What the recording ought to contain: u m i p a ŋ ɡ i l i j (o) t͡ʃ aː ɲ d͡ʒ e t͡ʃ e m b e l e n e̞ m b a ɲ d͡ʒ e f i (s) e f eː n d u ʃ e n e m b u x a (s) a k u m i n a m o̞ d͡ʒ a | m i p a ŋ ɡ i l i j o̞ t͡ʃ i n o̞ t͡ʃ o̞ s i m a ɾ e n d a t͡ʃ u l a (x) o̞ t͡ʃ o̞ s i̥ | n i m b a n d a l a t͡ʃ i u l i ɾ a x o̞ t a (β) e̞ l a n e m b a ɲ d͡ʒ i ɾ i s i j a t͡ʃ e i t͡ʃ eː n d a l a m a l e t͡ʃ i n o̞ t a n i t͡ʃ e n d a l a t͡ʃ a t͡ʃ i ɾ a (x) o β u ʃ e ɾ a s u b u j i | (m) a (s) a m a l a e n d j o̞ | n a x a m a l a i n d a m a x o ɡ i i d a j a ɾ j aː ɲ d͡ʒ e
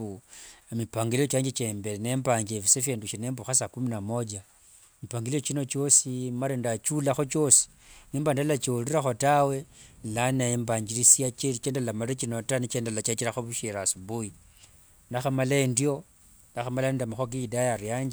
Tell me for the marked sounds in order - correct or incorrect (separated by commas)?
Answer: correct, correct, correct, correct, incorrect, correct, incorrect, incorrect